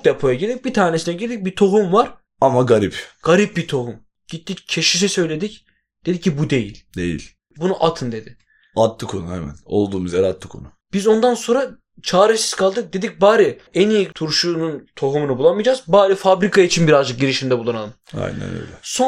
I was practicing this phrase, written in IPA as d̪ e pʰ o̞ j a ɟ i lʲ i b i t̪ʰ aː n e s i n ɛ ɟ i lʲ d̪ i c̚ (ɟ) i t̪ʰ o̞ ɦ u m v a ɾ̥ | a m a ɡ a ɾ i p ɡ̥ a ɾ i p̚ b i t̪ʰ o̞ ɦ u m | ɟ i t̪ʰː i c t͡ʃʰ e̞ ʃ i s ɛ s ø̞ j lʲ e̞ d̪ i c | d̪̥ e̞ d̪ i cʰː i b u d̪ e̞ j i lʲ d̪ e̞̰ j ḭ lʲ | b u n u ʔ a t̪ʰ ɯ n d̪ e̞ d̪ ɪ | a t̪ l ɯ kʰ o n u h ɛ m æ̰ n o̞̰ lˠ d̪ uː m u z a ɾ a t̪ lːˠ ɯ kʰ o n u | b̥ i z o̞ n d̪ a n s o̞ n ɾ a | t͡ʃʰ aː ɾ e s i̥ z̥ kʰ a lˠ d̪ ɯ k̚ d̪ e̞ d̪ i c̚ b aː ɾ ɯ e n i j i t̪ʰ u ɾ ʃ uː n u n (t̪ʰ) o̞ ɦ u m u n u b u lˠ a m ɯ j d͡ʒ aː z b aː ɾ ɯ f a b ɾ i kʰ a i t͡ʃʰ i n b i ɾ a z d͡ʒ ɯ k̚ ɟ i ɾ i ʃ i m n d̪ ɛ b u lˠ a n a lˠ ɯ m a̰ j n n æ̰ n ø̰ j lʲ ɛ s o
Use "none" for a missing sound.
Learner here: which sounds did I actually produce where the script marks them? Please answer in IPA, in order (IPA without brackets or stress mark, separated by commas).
b, t̪ʰ